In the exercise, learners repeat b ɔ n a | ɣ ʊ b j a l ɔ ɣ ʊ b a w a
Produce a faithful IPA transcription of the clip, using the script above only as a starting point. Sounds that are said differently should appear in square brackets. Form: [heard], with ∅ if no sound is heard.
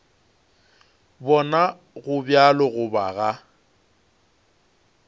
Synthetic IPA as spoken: b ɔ n a | ɣ ʊ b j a l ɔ ɣ ʊ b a [ɣ] a

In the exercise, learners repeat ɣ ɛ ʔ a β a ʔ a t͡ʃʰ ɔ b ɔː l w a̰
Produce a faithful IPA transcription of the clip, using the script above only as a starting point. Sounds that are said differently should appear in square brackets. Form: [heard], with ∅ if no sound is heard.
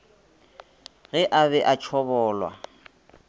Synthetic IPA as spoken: ɣ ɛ ʔ a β [ɛ] ʔ a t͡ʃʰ ɔ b ɔː l w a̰

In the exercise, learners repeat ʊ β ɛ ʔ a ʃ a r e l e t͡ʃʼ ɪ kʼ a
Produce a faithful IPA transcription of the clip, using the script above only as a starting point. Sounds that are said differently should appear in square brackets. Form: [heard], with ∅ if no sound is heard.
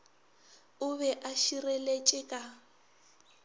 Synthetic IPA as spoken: ʊ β ɛ ʔ a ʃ [i] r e l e t͡ʃʼ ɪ kʼ a

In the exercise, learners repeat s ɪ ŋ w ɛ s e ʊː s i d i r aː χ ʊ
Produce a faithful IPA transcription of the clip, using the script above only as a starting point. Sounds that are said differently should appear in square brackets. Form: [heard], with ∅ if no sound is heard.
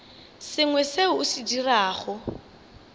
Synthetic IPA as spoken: s ɪ ŋ w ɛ s e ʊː s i d i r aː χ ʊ

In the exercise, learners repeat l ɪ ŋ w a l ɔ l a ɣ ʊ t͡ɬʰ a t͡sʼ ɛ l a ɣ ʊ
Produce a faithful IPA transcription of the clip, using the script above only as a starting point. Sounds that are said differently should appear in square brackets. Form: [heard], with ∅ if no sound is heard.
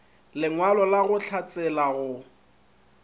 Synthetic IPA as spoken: l ɪ ŋ w a l ɔ l a ɣ ʊ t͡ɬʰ a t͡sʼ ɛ l a ɣ ʊ

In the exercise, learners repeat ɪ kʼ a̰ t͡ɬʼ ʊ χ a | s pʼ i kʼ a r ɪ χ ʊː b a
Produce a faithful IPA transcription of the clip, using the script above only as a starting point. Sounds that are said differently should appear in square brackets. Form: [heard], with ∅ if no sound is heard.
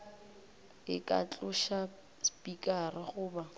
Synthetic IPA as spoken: ɪ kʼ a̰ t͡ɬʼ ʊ [ʃ] a | s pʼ i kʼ a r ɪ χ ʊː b a

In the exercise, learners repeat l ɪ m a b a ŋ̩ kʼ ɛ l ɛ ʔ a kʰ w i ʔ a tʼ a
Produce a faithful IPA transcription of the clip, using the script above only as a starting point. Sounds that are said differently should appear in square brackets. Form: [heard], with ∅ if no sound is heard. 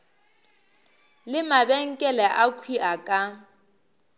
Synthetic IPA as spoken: l ɪ m a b [ɛ] ŋ̩ kʼ ɛ l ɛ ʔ a kʰ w i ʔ a [kʼ] a

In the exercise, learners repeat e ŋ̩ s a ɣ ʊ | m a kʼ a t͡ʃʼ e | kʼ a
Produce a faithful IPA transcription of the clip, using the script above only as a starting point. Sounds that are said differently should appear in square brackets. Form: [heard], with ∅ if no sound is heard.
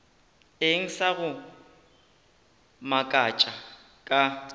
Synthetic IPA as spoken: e ŋ̩ s a ɣ ʊ | m a kʼ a t͡ʃʼ [a] | kʼ a

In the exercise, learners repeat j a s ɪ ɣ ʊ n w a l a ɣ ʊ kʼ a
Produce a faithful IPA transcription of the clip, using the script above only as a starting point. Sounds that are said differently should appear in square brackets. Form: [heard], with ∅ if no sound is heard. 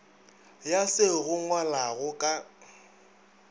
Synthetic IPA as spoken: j a s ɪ ɣ ʊ [ŋ] w a l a ɣ ʊ kʼ a

